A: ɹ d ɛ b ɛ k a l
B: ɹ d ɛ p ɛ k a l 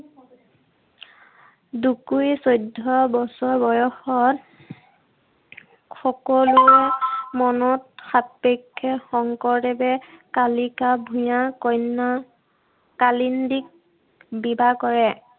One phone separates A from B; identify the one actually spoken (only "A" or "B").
A